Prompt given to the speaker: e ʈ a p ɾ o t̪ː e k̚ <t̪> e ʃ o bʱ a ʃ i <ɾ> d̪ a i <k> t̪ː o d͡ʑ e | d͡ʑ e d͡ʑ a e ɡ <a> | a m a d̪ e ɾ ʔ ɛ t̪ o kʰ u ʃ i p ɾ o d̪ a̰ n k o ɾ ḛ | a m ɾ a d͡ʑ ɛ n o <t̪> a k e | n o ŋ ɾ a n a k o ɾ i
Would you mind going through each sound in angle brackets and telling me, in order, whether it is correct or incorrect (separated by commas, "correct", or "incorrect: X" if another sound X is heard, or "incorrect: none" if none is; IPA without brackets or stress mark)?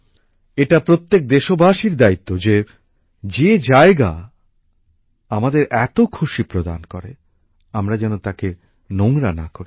incorrect: d̪, correct, incorrect: none, correct, correct